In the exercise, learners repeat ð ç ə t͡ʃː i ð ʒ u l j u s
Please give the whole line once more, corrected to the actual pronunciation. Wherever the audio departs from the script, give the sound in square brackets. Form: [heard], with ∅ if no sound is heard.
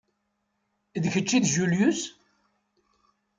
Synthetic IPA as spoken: ð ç ə t͡ʃː i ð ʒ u l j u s